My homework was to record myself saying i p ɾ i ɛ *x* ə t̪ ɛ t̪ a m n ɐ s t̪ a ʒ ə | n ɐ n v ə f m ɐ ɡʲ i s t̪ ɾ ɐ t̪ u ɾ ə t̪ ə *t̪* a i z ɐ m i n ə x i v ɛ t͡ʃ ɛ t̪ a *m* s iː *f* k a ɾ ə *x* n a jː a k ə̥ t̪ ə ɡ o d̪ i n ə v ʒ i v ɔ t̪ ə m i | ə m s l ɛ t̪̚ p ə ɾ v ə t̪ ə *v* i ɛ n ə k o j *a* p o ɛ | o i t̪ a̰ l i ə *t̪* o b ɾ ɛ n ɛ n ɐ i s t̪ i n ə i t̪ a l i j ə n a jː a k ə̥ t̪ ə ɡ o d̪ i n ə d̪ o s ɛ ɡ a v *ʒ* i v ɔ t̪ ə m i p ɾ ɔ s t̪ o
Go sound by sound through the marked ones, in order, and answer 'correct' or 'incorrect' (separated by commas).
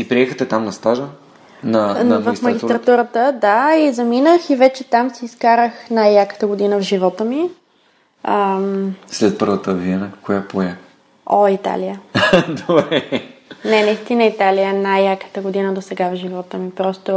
correct, incorrect, correct, incorrect, correct, correct, correct, incorrect, correct